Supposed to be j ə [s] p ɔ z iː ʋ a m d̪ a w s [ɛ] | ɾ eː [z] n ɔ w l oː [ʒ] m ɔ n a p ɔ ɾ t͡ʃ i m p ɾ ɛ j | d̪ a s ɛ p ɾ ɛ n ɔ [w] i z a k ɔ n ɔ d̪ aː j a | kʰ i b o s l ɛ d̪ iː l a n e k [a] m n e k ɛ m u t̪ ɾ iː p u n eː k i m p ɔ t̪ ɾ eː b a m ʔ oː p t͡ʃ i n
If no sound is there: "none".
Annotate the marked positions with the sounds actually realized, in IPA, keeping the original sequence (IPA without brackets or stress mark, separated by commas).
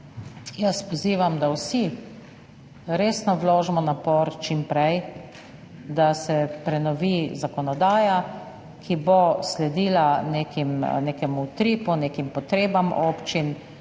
s, i, s, ʒ, ʋ, i